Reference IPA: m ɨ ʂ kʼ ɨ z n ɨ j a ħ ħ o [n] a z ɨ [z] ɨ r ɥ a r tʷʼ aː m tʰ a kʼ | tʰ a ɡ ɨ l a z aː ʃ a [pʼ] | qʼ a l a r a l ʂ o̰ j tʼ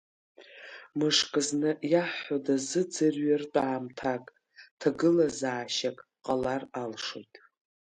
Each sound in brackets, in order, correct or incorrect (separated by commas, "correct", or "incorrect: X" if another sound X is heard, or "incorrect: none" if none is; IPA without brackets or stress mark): incorrect: d, incorrect: d͡z, incorrect: kʼ